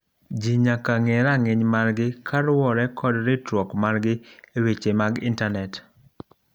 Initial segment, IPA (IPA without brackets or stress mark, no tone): d͡ʒ